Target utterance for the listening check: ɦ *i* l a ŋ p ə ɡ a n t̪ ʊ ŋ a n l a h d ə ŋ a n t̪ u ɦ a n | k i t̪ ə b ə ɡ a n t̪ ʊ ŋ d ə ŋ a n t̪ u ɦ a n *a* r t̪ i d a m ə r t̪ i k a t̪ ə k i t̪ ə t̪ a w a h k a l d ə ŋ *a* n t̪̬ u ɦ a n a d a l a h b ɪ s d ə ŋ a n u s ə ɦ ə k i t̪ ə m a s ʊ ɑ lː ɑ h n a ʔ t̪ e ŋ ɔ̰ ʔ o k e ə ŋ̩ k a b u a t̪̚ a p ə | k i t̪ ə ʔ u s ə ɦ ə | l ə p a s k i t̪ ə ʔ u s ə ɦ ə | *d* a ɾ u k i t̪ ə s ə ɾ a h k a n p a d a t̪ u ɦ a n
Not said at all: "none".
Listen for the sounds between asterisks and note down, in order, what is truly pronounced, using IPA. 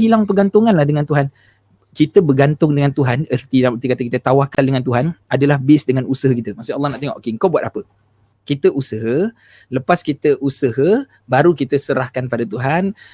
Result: i, ə, a, b

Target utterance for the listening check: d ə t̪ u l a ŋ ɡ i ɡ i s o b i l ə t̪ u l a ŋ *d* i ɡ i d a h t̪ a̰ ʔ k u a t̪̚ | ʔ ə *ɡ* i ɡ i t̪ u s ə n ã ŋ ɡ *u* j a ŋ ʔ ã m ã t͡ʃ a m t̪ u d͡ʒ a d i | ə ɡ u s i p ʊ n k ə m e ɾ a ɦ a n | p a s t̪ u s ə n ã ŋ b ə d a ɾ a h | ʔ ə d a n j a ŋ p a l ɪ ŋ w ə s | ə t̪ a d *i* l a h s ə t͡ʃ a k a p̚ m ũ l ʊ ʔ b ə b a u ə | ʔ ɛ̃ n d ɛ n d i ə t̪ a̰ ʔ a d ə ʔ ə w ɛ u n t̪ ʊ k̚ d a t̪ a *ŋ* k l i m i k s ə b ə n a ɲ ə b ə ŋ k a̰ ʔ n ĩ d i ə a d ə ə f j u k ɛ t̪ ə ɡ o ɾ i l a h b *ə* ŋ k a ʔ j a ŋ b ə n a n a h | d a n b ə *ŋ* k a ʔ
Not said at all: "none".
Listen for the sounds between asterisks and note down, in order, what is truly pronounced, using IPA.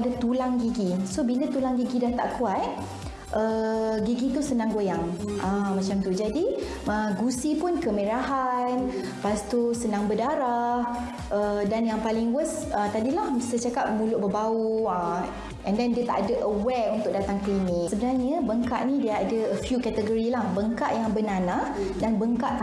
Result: ɡ, ɡ, o, i, ŋ, ə, ŋ

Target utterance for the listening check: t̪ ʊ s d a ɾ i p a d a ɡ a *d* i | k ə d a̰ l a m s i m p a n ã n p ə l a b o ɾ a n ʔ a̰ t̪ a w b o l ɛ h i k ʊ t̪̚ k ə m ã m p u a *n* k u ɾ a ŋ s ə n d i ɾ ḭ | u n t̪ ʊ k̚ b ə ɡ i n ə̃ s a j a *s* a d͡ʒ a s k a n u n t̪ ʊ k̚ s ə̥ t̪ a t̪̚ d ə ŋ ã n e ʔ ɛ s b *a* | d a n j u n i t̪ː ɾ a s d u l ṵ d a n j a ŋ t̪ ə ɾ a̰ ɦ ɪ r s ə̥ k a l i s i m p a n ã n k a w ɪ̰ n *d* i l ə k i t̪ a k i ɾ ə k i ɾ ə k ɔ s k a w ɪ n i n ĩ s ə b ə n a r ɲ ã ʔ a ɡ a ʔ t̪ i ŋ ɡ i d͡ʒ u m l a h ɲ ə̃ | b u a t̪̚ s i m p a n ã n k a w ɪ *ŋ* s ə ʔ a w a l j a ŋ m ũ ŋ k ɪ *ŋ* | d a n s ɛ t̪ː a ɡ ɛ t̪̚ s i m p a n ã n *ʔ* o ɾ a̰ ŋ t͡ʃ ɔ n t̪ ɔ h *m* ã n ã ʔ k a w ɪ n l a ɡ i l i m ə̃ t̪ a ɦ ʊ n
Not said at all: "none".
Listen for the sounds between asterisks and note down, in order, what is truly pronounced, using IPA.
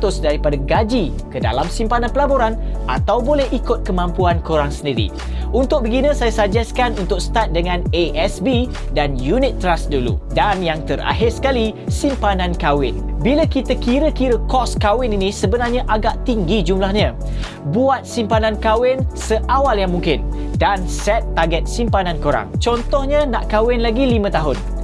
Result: d͡ʒ, n, s, i, b, n, n, k, ɲ

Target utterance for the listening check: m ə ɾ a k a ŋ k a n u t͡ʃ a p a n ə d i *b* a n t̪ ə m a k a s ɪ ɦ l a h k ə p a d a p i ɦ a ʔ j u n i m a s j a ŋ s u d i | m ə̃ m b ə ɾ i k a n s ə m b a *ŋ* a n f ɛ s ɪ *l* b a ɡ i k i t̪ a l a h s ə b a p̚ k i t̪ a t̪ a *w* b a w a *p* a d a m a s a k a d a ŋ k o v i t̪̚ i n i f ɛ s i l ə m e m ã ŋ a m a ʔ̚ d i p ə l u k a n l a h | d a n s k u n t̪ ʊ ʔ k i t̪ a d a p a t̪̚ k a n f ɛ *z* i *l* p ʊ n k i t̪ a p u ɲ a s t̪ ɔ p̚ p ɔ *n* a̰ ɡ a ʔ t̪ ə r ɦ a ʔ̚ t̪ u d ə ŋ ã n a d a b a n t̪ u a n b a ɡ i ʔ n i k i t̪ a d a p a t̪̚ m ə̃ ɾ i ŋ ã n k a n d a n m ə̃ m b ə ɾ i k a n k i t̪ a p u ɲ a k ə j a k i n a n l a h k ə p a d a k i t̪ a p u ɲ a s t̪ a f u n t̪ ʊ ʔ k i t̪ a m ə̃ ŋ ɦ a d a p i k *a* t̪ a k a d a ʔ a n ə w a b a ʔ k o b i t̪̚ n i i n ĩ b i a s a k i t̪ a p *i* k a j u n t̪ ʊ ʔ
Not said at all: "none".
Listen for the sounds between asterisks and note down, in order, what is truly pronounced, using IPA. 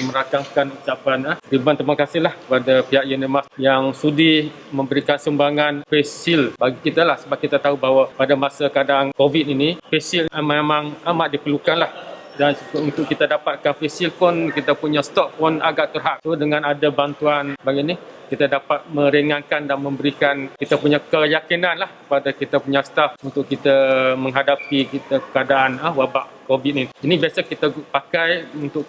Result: b, ŋ, l, u, p, s, l, n, i, a

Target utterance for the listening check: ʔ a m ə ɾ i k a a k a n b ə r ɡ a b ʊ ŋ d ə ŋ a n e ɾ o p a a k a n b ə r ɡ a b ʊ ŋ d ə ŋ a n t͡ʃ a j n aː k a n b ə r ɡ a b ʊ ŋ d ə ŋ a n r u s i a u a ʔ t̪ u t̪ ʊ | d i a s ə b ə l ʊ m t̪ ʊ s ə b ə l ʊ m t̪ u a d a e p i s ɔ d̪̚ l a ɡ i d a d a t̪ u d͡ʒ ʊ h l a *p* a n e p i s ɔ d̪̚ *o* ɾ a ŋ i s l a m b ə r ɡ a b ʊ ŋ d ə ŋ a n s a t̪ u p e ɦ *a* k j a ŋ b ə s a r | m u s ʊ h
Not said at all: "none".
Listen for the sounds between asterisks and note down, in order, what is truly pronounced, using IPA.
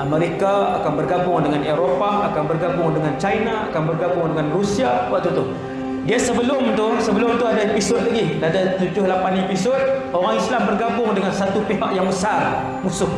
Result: p, o, a

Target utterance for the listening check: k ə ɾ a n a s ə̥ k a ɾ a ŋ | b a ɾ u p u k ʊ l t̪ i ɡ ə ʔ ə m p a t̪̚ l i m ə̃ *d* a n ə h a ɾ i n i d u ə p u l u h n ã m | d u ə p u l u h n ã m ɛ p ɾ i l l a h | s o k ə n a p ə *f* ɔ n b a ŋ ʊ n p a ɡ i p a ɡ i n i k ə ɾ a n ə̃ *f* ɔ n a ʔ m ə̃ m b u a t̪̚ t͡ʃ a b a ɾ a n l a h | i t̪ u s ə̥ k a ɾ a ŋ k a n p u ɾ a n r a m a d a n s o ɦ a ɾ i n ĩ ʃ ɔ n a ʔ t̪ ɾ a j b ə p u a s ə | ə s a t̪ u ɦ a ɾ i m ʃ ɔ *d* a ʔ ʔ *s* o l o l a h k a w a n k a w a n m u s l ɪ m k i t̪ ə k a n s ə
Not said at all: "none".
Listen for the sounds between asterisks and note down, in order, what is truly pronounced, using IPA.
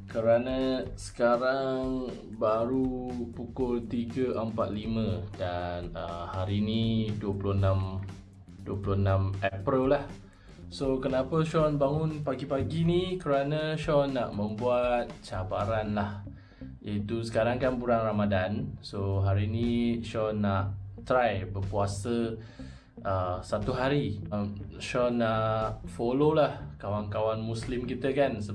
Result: d, ʃ, ʃ, n, f

